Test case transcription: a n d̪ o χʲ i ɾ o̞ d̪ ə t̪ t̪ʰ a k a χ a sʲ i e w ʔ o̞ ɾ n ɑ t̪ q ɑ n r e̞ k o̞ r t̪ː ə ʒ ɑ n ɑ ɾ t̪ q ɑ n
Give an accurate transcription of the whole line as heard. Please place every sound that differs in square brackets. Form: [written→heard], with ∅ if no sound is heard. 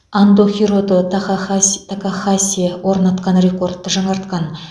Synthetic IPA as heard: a n d̪ o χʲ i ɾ o̞ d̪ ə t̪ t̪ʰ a k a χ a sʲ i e w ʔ o̞ ɾ n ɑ t̪ q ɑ n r e̞ k o̞ r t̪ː ə ʒ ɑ [n→ɴ] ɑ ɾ t̪ q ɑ n